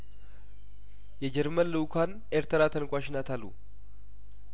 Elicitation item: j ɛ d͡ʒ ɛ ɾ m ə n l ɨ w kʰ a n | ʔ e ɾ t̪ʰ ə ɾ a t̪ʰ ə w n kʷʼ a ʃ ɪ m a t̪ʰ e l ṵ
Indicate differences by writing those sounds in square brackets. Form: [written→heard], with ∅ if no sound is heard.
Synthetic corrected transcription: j ɛ d͡ʒ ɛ ɾ m ə n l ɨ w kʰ a n | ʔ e ɾ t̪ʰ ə ɾ a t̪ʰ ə [w→∅] n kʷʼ a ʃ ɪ [m→n] a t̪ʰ [e→a] l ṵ